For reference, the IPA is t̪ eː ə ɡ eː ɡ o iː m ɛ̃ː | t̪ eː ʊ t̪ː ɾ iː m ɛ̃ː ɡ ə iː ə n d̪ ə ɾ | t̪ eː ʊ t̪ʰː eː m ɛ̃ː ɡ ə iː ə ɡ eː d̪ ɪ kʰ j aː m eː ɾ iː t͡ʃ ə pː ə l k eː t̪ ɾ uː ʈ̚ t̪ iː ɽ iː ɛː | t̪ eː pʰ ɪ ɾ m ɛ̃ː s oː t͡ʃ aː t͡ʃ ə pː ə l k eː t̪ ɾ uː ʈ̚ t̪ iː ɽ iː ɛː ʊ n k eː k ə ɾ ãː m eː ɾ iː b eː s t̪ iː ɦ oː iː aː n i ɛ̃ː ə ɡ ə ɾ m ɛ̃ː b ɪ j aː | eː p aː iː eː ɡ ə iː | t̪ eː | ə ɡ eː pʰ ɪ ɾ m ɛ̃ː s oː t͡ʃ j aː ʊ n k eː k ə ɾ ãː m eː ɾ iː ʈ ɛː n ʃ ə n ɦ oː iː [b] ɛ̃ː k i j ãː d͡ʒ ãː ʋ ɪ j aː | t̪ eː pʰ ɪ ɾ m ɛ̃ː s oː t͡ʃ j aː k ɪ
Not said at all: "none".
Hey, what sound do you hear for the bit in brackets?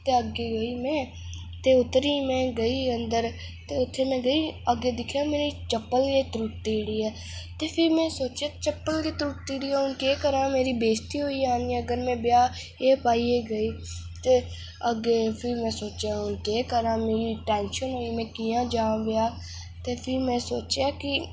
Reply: m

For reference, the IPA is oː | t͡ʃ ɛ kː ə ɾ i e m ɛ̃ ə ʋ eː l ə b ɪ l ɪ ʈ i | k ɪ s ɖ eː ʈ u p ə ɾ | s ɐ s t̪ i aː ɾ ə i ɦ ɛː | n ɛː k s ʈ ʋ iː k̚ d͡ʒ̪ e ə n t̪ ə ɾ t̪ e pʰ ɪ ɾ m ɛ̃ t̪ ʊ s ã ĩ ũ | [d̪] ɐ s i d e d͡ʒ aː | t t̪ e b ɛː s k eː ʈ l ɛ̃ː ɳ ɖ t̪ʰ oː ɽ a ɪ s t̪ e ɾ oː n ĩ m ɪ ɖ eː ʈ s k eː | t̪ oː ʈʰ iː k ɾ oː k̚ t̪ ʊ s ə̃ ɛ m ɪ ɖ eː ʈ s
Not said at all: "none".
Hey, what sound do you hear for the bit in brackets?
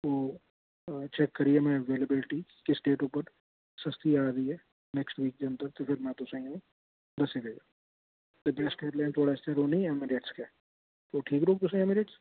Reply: d̪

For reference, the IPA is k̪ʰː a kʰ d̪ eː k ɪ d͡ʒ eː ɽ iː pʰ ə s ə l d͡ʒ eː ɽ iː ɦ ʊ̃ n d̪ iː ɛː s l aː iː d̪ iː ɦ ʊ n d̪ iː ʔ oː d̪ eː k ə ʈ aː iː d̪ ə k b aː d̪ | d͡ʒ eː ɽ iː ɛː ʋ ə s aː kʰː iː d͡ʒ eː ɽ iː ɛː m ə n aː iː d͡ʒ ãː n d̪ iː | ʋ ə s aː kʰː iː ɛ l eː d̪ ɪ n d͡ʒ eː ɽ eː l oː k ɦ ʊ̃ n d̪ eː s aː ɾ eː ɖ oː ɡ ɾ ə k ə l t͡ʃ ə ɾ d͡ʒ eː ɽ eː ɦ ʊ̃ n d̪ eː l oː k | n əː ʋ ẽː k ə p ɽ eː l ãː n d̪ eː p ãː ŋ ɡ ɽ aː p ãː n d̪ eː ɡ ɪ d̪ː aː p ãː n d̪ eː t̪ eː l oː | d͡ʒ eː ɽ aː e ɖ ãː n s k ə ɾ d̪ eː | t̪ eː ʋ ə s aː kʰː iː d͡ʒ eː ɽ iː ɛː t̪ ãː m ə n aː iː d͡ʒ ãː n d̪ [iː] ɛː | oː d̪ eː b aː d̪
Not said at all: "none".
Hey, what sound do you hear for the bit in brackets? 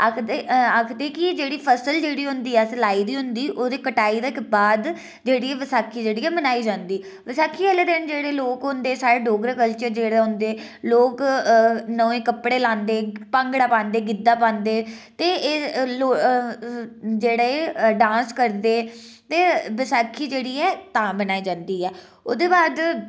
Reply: iː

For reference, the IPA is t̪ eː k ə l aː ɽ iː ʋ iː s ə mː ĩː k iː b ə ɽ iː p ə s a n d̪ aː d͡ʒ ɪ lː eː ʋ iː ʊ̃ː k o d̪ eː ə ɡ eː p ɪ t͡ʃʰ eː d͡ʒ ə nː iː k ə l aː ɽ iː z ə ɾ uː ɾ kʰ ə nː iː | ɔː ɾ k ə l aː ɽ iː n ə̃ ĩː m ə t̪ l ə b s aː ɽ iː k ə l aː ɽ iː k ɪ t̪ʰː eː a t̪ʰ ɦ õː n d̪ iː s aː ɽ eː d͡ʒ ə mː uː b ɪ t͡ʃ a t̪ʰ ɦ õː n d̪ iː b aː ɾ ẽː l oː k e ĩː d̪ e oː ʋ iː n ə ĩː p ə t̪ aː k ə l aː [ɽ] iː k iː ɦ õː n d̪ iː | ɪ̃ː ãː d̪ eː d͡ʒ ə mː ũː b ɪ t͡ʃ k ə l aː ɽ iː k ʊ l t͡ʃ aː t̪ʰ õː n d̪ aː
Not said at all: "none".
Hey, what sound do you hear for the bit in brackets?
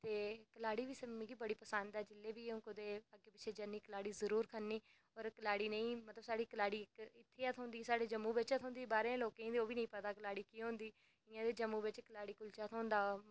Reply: ɽ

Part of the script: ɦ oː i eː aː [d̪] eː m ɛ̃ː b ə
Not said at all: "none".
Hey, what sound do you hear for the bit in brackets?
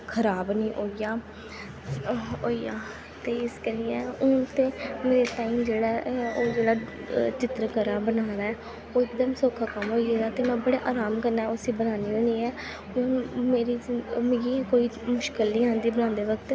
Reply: t̪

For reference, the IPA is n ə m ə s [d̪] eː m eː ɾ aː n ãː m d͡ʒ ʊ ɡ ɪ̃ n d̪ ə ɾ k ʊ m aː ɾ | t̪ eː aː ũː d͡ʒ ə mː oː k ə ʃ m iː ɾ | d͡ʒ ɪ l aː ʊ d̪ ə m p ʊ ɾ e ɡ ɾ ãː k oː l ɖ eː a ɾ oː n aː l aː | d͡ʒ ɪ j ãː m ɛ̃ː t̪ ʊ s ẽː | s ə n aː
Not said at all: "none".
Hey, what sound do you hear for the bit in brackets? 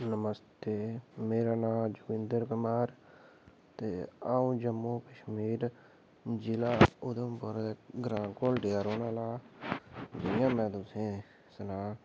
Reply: t̪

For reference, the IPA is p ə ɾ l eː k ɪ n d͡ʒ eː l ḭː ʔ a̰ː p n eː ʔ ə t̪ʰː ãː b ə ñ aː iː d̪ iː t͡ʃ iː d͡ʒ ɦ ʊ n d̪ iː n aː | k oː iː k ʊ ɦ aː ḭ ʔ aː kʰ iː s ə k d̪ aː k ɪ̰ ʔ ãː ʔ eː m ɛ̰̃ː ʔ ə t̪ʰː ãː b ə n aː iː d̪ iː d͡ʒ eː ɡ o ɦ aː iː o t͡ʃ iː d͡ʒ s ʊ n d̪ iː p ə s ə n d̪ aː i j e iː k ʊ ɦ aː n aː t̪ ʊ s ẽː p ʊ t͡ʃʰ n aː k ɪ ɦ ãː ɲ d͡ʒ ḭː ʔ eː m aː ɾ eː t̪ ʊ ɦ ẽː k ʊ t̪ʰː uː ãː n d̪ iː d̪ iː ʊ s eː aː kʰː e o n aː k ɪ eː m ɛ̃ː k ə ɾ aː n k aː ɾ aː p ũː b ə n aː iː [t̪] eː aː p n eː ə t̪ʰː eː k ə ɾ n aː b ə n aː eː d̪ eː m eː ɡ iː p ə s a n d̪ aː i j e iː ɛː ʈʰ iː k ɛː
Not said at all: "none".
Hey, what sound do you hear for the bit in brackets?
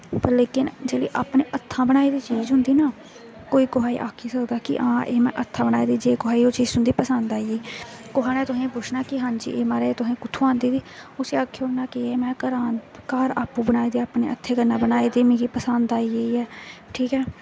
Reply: d̪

